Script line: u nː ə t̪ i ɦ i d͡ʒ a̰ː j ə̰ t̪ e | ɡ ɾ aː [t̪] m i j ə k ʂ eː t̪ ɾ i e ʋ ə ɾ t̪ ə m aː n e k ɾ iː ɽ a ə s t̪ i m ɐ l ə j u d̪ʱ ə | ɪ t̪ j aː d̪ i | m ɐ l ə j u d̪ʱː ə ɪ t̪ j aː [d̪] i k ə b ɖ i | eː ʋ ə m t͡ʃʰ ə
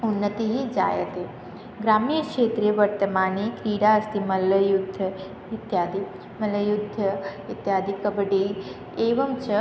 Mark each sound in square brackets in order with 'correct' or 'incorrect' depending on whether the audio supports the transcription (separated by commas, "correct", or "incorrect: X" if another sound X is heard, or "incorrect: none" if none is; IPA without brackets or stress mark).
incorrect: none, correct